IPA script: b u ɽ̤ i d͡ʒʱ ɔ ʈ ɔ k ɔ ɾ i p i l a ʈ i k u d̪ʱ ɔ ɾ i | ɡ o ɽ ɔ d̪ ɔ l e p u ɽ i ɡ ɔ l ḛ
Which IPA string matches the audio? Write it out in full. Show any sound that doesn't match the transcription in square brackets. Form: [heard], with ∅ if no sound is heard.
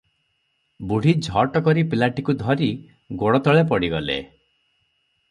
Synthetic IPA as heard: b u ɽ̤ i d͡ʒʱ ɔ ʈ ɔ k ɔ ɾ i p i l a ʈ i k u d̪ʱ ɔ ɾ i | ɡ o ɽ ɔ [t̪] ɔ [ɭ] e p [ɔ] ɽ i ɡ ɔ l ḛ